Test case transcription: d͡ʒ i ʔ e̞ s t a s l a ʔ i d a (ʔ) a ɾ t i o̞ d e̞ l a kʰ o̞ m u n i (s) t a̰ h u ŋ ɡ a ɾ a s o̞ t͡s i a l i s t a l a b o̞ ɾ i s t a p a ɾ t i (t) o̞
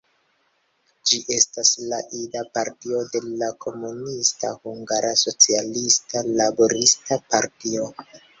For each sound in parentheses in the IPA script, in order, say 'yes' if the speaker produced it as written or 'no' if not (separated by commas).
no, yes, no